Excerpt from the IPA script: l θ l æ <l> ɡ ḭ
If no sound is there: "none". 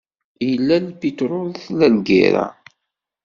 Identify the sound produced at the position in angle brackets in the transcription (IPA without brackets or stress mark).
l